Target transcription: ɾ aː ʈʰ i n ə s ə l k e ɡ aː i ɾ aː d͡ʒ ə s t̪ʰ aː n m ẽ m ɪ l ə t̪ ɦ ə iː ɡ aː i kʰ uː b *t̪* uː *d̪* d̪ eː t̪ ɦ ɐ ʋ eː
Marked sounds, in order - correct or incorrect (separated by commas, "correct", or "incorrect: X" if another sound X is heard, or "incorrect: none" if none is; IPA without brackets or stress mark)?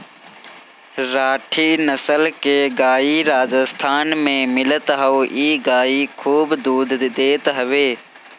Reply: incorrect: d̪, correct